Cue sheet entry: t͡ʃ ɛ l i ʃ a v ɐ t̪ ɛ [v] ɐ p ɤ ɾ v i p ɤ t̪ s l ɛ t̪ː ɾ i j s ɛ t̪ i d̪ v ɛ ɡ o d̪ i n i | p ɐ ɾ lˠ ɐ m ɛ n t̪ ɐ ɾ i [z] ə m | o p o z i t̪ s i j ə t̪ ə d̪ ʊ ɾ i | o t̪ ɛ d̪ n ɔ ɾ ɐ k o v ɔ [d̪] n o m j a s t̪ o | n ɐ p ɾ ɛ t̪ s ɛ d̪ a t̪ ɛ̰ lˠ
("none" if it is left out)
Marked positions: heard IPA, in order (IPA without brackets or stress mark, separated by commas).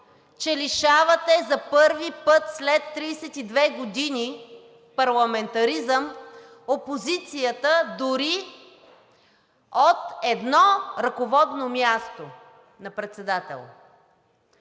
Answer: z, z, d̪